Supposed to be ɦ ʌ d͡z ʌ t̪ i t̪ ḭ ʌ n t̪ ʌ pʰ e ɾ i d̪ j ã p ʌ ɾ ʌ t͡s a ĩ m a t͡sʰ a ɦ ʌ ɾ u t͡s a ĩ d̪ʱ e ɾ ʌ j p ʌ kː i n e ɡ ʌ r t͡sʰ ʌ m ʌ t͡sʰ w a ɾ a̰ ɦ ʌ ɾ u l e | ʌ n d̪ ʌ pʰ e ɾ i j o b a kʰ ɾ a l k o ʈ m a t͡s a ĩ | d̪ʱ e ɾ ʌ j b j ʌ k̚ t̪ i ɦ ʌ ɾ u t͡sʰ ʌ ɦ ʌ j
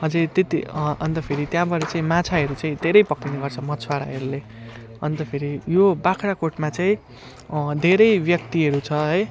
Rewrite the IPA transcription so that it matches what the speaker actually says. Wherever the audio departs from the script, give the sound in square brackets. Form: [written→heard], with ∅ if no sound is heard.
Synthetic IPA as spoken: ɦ ʌ d͡z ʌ t̪ [i→e] t̪ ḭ ʌ n t̪ ʌ pʰ e ɾ i [d̪→t̪] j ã [p→b] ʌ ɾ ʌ t͡s a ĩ m a t͡sʰ a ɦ ʌ ɾ u t͡s a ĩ d̪ʱ e ɾ ʌ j p ʌ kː i n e ɡ ʌ r t͡sʰ ʌ m ʌ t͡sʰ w a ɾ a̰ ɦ ʌ ɾ u l e | ʌ n [d̪→t̪] ʌ pʰ e ɾ i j o b a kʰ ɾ a [l→∅] k o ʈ m a t͡s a ĩ | d̪ʱ e ɾ ʌ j b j ʌ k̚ t̪ i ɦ ʌ ɾ u t͡sʰ ʌ ɦ ʌ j